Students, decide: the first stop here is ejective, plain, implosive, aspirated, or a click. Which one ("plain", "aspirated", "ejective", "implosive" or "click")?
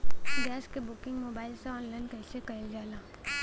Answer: plain